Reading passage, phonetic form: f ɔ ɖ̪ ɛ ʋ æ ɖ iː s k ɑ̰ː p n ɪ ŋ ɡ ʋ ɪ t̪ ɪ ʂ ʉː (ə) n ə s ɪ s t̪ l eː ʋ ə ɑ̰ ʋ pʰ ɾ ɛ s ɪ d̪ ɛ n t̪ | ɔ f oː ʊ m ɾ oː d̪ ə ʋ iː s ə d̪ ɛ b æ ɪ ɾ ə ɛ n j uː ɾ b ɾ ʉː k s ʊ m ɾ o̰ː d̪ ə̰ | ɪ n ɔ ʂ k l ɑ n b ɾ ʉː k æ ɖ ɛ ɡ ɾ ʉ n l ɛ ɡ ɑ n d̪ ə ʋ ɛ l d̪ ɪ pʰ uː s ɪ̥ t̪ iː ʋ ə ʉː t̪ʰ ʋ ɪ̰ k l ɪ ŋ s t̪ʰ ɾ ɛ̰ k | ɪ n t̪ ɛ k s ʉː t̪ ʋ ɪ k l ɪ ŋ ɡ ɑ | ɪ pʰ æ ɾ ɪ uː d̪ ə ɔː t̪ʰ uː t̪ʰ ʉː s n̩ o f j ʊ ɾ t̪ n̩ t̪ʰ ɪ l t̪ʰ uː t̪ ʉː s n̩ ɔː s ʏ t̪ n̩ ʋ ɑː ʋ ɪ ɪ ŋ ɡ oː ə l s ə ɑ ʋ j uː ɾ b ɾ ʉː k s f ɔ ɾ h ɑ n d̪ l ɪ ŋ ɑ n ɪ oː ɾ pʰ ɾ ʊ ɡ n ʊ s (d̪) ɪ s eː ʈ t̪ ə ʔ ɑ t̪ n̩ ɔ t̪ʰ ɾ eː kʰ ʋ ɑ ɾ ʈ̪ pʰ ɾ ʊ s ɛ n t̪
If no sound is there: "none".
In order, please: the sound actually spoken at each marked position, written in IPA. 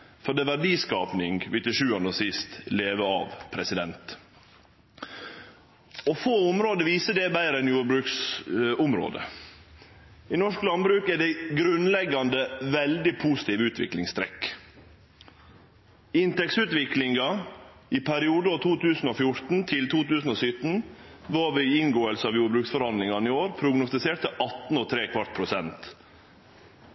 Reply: ɑ, t̪

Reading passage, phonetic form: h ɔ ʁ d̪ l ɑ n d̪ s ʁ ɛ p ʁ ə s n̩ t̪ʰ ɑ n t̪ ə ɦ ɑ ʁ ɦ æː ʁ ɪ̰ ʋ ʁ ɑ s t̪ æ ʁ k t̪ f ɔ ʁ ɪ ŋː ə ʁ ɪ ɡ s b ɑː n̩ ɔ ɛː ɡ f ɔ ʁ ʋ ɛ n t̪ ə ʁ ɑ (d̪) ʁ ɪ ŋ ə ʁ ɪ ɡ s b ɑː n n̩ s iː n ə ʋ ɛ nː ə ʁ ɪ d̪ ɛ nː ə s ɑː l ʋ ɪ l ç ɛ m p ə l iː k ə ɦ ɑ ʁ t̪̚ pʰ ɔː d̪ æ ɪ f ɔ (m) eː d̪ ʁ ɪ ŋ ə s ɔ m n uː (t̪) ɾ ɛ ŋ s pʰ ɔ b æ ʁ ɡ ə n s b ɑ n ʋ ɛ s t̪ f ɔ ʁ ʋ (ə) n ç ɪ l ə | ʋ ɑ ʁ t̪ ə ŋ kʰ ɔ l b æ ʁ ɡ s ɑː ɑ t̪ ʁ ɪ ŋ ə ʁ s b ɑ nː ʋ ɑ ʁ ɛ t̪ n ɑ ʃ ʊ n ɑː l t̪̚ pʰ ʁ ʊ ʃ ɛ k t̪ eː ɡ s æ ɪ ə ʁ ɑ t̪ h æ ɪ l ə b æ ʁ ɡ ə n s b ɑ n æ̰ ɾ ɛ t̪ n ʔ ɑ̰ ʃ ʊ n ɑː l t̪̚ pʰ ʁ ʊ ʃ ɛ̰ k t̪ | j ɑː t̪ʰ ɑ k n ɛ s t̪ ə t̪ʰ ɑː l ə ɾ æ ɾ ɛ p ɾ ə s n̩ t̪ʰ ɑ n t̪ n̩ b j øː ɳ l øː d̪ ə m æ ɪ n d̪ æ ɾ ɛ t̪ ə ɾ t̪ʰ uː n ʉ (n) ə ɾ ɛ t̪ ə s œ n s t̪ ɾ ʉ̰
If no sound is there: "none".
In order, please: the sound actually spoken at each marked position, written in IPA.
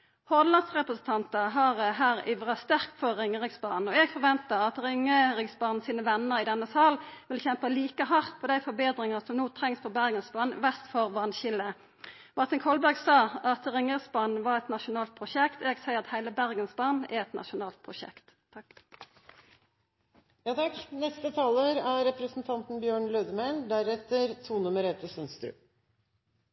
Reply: t̪, b, t̪ʰ, ɑ, m

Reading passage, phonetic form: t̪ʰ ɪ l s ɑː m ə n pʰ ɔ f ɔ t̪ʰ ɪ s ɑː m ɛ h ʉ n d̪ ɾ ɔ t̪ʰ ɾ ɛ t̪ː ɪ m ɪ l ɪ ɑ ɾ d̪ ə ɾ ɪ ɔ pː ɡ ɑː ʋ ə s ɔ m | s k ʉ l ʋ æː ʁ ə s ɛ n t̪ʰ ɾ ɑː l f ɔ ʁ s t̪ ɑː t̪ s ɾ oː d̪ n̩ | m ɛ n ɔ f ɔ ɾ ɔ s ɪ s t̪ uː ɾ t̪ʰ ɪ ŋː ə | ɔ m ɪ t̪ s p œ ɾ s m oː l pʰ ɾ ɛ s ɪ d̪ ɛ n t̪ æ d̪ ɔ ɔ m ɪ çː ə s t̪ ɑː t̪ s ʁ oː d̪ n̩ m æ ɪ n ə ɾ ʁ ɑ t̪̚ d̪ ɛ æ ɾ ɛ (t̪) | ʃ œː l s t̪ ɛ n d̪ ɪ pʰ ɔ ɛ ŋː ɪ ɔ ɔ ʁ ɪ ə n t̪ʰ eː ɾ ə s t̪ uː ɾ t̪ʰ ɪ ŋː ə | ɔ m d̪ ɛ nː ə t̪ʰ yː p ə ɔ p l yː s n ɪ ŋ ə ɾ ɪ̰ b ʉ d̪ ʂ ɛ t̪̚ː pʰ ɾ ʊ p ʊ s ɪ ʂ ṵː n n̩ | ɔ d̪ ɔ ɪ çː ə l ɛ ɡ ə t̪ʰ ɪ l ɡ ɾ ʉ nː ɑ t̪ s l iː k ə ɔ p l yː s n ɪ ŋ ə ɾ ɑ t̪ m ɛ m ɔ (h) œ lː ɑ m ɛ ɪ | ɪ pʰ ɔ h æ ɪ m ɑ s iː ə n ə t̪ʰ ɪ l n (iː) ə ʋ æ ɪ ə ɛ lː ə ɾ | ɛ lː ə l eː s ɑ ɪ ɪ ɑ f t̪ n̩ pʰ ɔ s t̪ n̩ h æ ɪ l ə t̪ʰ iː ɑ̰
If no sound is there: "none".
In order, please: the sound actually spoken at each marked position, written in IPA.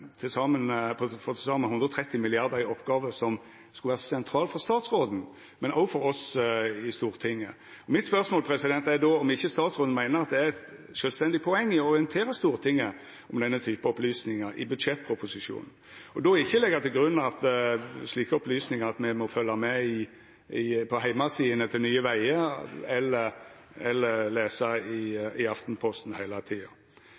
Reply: t̪, f, yː

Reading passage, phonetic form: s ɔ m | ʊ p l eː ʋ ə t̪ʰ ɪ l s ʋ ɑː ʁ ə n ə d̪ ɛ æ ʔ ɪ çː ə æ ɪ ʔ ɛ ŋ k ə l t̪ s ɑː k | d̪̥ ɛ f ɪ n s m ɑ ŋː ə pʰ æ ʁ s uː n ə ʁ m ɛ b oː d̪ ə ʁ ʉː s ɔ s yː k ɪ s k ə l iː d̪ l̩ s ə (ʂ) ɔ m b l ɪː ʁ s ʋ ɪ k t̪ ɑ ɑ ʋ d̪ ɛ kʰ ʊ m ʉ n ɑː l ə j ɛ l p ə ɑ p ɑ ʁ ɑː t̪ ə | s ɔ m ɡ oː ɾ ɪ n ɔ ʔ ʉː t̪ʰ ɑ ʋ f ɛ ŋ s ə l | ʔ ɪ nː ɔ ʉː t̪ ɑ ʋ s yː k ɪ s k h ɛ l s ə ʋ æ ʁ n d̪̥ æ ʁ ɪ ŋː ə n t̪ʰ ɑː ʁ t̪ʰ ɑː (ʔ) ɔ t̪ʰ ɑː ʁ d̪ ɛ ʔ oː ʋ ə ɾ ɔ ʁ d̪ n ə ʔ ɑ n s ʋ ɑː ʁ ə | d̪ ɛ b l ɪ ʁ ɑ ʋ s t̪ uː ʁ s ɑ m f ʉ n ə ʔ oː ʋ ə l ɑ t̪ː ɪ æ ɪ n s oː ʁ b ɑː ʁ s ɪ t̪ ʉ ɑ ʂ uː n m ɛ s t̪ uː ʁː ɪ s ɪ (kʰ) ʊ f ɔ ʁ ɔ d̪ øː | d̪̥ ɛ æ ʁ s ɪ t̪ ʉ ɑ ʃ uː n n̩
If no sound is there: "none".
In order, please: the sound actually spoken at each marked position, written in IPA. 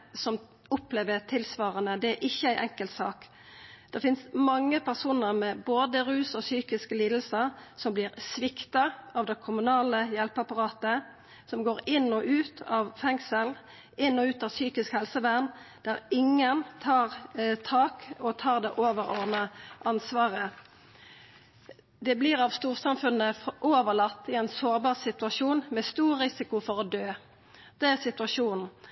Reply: s, k, k

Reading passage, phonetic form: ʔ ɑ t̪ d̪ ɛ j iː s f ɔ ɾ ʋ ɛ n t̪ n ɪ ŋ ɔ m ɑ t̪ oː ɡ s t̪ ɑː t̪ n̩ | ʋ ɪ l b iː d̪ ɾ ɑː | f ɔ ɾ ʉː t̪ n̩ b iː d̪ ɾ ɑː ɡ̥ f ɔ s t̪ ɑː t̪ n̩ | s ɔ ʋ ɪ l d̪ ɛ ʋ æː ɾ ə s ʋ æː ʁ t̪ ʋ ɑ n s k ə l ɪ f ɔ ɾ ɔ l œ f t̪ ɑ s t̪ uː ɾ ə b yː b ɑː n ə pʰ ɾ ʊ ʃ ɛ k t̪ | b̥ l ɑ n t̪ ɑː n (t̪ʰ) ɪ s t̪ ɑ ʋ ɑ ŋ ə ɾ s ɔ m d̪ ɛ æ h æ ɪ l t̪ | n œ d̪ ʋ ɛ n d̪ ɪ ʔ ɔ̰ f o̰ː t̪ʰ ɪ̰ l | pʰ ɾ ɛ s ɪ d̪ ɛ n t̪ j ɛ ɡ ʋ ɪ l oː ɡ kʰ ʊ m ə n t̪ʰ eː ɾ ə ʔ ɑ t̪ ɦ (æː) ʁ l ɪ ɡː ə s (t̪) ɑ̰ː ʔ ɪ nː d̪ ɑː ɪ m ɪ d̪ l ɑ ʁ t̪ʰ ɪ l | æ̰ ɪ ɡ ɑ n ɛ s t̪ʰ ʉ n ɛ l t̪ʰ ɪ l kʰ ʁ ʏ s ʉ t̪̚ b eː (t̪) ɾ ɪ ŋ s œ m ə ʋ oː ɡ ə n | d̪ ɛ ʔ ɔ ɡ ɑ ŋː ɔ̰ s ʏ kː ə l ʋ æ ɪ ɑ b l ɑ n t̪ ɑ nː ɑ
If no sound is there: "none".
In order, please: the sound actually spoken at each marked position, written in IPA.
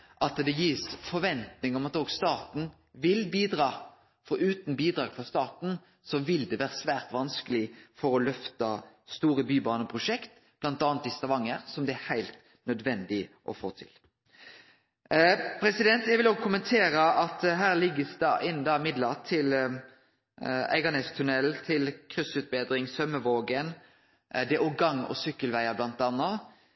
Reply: t̪, æː, d̪, d̪

